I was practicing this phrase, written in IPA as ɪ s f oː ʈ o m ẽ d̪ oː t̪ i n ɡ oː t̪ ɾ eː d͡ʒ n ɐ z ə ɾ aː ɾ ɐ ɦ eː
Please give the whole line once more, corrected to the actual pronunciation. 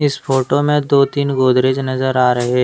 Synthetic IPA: ɪ s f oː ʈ o m ẽ d̪ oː t̪ iː n ɡ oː d̪ ɾ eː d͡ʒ n ɐ z ə ɾ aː ɾ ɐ ɦ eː